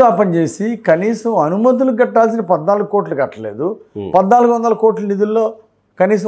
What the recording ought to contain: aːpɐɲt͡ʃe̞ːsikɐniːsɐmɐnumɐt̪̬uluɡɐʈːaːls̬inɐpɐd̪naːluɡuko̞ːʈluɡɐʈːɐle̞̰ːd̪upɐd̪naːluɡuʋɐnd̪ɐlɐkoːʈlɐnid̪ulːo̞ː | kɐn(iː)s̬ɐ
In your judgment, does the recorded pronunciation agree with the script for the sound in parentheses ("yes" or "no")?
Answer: yes